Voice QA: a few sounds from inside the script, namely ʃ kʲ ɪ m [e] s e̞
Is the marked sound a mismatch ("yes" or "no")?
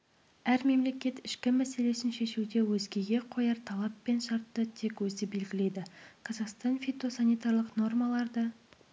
yes